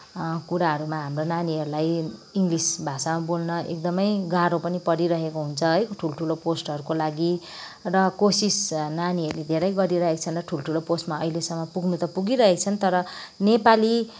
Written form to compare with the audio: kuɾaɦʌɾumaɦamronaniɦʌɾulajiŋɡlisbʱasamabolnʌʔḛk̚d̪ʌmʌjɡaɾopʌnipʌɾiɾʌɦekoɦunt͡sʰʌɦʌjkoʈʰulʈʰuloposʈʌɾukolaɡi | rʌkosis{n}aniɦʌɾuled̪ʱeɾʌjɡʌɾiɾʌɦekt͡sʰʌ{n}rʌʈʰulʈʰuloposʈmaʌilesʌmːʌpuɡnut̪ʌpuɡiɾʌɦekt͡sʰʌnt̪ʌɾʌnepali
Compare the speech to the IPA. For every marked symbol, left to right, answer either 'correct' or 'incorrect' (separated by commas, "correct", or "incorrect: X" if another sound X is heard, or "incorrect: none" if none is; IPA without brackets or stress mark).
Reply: correct, correct